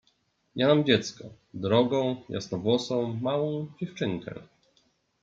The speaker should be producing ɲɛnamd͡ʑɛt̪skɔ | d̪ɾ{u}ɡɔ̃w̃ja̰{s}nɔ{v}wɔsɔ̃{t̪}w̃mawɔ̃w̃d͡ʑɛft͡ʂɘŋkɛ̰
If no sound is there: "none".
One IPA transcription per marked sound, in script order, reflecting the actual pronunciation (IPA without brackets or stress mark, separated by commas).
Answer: ɔ, s, v, none